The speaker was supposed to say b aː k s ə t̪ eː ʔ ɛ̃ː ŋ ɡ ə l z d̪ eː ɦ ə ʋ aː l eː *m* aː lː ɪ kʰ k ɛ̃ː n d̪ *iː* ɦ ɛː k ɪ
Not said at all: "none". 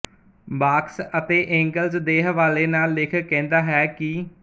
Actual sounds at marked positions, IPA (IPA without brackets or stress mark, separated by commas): n, aː